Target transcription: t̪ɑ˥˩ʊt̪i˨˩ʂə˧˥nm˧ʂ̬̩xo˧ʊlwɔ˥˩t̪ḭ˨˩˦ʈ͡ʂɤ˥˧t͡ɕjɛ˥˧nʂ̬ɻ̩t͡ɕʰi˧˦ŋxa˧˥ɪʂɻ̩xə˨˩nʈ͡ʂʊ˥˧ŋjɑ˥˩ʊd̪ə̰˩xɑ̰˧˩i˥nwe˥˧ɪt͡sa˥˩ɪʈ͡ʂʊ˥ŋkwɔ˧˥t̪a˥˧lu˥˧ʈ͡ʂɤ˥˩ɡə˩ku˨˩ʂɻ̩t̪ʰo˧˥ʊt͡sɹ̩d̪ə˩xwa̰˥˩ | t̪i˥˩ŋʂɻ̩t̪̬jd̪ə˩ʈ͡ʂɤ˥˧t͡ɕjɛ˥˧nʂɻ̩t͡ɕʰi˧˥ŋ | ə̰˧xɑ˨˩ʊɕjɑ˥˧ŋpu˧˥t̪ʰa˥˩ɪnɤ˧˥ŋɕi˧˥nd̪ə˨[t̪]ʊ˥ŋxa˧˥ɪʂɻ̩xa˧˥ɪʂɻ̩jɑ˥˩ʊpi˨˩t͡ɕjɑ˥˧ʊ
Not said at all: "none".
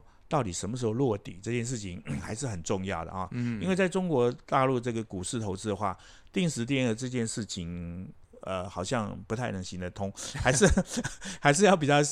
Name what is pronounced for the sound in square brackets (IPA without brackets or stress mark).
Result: t̪ʰ